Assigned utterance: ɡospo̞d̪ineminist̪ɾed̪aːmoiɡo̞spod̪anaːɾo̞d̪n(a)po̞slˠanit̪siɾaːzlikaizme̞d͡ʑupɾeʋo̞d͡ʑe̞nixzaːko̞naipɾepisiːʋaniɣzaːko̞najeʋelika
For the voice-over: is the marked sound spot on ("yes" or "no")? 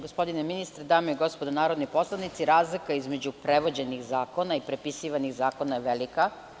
no